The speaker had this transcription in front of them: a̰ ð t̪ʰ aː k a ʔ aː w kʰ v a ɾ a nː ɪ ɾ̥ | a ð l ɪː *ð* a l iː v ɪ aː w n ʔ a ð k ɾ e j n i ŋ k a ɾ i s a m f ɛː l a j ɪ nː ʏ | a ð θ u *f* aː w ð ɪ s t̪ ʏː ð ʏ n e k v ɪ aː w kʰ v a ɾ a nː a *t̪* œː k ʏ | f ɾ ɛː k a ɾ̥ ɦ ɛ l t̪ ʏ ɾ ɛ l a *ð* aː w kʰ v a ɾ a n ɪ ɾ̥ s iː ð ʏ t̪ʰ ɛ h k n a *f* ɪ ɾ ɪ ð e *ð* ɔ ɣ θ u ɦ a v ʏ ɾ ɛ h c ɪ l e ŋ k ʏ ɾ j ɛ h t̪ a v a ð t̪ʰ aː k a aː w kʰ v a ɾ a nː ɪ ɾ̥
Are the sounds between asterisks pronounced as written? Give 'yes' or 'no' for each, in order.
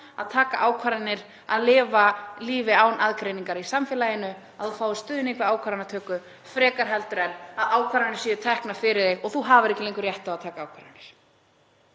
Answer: no, yes, no, yes, yes, no

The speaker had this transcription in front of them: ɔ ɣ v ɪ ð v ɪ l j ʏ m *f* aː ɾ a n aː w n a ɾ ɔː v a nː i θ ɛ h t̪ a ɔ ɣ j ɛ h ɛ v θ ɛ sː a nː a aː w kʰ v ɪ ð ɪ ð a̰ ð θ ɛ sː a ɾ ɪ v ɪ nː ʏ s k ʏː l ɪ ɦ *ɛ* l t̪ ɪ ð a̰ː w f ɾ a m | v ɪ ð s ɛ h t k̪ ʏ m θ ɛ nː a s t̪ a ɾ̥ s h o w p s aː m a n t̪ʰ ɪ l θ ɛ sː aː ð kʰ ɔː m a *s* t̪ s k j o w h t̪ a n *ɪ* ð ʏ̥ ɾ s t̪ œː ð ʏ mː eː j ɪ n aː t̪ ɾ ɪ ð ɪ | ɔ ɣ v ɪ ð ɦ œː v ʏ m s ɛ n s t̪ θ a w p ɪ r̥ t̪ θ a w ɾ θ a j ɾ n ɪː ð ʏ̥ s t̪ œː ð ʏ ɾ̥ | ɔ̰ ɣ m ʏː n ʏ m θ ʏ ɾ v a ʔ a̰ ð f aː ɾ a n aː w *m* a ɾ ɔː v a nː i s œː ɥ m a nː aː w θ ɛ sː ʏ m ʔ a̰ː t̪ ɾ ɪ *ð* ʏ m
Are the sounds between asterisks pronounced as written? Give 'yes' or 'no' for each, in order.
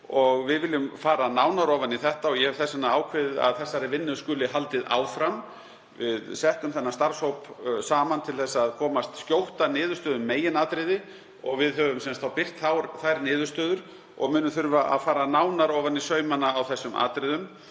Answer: yes, no, yes, no, no, yes

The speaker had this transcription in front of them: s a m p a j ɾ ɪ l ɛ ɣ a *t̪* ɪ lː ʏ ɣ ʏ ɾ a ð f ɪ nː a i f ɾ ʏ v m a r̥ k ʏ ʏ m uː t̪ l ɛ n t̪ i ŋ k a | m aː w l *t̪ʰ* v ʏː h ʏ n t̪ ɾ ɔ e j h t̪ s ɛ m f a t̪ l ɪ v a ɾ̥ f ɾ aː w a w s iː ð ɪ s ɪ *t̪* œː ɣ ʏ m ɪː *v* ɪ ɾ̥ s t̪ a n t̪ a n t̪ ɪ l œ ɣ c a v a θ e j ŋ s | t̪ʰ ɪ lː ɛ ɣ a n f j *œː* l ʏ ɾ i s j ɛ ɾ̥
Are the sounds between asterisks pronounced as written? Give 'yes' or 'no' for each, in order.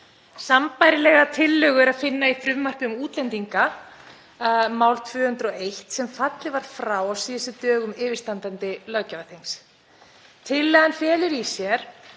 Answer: no, yes, yes, yes, no

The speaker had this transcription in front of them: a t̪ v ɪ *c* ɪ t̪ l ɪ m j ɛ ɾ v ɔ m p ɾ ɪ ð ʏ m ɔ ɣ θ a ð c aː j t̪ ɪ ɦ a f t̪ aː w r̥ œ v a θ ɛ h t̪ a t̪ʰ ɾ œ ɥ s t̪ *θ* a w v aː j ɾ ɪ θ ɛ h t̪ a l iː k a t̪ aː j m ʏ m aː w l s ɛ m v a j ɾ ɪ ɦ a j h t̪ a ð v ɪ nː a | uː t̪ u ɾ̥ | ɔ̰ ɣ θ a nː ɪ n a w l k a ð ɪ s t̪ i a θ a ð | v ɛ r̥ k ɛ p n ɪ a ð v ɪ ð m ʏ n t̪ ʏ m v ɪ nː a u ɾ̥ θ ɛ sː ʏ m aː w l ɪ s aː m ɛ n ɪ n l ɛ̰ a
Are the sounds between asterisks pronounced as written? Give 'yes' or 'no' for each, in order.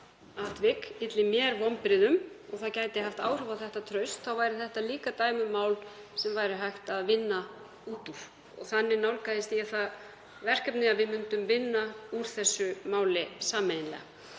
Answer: no, yes

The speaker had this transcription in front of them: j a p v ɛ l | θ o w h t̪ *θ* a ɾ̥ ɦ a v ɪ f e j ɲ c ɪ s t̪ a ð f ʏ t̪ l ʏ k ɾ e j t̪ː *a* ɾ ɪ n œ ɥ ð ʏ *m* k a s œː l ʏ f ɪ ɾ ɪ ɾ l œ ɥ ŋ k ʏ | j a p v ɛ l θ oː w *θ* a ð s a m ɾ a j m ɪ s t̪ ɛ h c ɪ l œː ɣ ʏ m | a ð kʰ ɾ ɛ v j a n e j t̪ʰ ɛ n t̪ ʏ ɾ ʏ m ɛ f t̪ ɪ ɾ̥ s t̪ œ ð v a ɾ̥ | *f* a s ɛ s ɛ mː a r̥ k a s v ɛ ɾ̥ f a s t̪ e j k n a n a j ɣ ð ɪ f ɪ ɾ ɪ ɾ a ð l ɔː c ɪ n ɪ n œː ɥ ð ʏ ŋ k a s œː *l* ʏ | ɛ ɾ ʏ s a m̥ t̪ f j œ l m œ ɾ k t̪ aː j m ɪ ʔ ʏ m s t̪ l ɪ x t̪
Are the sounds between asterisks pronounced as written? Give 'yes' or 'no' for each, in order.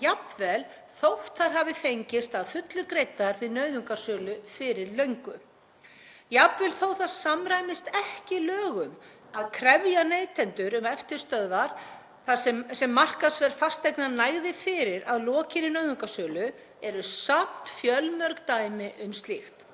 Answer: yes, yes, no, yes, no, yes

